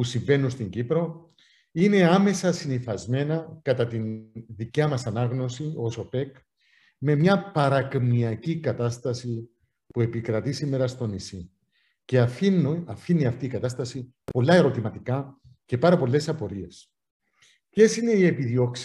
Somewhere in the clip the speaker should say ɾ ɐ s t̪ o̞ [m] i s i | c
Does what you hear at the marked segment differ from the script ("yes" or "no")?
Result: yes